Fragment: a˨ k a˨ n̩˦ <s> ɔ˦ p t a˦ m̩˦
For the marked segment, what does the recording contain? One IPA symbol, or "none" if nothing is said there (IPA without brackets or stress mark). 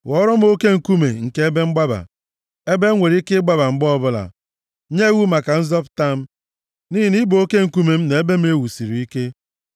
z